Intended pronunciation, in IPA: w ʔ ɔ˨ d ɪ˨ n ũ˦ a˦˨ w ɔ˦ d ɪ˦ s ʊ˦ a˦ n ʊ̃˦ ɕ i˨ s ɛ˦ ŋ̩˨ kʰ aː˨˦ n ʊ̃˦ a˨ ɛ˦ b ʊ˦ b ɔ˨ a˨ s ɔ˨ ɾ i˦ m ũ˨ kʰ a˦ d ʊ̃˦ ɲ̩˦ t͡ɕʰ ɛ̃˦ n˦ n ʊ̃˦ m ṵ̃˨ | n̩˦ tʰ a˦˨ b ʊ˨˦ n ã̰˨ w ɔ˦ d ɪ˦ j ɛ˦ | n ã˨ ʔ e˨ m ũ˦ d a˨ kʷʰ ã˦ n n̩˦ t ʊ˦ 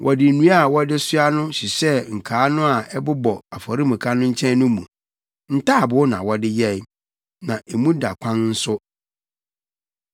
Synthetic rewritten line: w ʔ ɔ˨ d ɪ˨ n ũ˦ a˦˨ w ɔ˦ d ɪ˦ s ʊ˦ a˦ n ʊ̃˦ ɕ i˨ s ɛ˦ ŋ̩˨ kʰ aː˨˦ n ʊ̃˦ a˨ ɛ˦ b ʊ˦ b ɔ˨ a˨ f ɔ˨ ɾ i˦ m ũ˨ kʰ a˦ n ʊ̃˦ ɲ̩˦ t͡ɕʰ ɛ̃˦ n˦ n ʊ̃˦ m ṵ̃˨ | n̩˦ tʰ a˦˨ b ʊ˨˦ n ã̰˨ w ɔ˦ d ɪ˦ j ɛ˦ | n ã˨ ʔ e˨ m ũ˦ d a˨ kʷʰ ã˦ n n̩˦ s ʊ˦